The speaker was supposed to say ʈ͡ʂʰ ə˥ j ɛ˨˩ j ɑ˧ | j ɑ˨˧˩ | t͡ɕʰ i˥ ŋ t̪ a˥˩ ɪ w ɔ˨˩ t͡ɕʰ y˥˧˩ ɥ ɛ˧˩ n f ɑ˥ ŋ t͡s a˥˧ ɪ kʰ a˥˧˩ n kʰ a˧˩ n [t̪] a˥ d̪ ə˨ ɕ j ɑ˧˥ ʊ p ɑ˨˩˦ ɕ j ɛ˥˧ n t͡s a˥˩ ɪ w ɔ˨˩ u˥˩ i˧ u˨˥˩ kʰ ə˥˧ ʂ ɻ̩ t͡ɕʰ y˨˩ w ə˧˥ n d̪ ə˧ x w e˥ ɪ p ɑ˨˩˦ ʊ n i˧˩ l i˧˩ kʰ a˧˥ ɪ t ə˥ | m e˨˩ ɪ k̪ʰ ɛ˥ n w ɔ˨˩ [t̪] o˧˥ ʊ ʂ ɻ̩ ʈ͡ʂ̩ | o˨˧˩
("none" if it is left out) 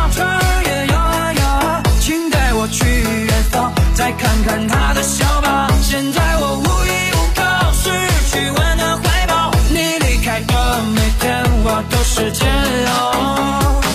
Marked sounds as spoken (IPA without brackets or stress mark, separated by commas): t̪ʰ, t̪